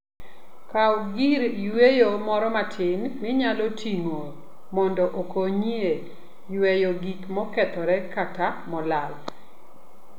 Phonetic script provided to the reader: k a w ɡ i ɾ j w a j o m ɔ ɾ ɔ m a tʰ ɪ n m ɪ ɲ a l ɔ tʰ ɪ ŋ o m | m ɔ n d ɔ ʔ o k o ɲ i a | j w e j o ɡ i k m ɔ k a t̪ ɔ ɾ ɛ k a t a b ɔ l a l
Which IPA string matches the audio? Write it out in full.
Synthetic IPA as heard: k a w ɡ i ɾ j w e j o m ɔ ɾ ɔ m a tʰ ɪ n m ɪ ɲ a l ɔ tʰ i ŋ o | m ɔ n d ɔ ʔ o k o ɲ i e | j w e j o ɡ i k m ɔ k ɛ t̪ ɔ ɾ ɛ k a t a m ɔ l a l